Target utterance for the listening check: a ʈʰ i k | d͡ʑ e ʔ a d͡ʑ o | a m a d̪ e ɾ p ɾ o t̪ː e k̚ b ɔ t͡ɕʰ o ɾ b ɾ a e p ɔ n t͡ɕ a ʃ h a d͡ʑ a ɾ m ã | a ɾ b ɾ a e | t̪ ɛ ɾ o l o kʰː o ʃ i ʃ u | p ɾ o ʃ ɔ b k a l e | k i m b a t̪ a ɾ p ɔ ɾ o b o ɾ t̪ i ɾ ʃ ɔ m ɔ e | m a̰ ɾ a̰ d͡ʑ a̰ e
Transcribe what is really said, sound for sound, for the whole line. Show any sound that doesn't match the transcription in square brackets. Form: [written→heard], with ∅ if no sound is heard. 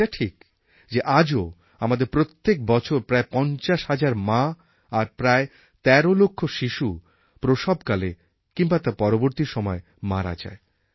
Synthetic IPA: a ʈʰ i k | d͡ʑ e ʔ a d͡ʑ o | a m a d̪ e ɾ p ɾ o t̪ː e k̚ b ɔ t͡ɕʰ o ɾ [b→p] ɾ a e p ɔ n t͡ɕ a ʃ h a d͡ʑ a ɾ m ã | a ɾ [b→p] ɾ a e | t̪ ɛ ɾ o l o kʰː o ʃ i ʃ u | p ɾ o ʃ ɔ b k a l e | k i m b a t̪ a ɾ p ɔ ɾ o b o ɾ t̪ i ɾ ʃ ɔ m ɔ e | m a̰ ɾ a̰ d͡ʑ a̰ e